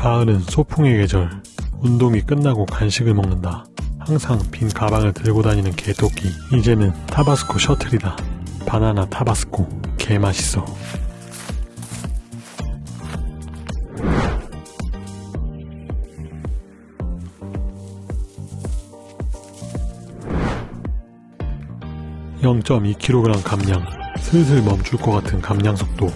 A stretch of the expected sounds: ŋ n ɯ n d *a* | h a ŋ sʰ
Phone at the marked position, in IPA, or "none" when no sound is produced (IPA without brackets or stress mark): a